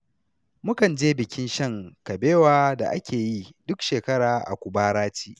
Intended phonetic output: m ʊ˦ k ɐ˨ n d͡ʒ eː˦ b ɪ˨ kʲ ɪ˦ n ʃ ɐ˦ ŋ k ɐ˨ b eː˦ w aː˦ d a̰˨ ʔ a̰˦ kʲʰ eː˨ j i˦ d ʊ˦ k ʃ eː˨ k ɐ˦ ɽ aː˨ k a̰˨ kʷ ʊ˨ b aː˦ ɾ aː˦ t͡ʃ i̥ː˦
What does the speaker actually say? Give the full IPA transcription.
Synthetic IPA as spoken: m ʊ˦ k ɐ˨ n d͡ʒ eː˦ b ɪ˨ kʲ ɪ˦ n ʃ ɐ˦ ŋ k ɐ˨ b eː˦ w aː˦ d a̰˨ ʔ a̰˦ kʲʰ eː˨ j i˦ d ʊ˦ k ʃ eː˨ k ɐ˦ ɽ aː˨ ʔ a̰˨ kʷ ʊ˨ b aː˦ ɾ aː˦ t͡ʃ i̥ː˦